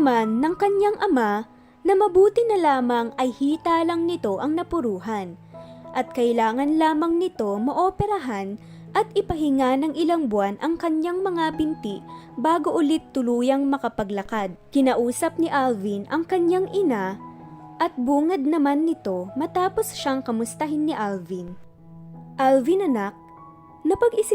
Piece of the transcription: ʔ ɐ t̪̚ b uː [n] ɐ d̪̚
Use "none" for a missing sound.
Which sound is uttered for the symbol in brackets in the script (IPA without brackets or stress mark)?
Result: ŋ